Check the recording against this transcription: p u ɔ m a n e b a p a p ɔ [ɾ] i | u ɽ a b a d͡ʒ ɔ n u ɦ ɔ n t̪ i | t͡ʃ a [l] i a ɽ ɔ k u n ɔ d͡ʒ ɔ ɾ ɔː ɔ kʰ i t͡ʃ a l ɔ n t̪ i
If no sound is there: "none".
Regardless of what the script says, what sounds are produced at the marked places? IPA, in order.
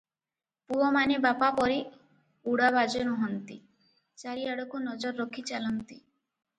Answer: ɾ, ɾ

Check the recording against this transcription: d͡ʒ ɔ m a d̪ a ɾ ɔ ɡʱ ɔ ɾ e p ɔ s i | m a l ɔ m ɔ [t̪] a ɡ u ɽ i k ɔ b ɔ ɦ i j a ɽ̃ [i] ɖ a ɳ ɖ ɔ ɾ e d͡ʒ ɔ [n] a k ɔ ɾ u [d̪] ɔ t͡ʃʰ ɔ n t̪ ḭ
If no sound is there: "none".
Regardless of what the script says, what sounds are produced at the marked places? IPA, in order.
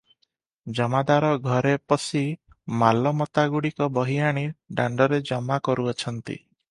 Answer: t̪, i, m, none

